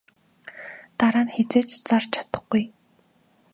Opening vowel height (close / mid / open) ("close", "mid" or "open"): open